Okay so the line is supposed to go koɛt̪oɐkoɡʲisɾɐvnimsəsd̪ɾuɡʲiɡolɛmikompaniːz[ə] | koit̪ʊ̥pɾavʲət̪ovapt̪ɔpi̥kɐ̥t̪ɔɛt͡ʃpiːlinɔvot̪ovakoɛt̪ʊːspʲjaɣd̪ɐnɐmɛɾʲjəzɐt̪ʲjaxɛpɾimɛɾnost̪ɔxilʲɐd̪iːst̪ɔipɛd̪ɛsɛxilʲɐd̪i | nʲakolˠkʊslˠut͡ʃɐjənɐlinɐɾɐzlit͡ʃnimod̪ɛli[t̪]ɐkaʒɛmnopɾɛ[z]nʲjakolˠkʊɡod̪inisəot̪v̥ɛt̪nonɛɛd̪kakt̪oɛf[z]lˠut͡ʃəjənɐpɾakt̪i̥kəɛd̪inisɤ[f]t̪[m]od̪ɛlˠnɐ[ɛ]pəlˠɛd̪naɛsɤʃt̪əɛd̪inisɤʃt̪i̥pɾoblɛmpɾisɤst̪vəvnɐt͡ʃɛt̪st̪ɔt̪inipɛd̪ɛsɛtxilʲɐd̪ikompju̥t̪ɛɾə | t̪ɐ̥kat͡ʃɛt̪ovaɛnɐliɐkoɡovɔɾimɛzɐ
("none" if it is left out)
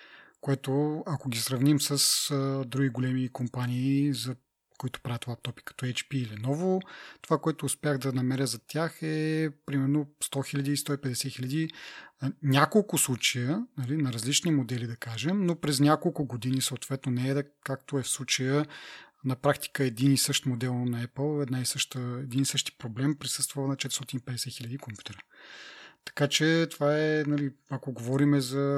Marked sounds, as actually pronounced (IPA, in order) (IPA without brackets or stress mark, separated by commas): ɐ, d̪, z, s, ʃ, m, ɛ